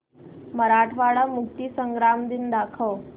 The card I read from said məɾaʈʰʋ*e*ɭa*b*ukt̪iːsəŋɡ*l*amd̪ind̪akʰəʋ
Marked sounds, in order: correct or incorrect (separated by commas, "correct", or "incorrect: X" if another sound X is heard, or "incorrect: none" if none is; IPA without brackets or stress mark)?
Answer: incorrect: a, incorrect: m, incorrect: ɾ